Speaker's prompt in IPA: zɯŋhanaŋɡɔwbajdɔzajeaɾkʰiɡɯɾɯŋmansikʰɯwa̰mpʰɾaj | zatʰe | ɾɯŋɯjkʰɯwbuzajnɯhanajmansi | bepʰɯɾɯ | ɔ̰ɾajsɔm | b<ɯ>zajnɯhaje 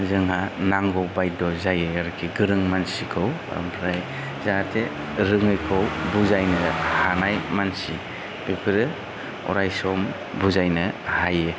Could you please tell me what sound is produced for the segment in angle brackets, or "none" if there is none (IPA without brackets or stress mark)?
u